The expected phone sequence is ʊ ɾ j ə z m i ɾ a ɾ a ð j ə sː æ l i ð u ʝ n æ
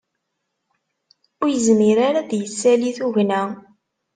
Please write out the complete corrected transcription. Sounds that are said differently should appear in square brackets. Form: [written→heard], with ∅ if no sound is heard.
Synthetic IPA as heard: ʊ ɾ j ə z m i ɾ a ɾ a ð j ə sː æ l i [ð→θ] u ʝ n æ